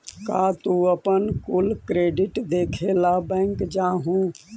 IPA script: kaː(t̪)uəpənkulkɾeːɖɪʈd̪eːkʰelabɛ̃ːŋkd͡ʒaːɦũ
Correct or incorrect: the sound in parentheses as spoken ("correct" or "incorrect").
correct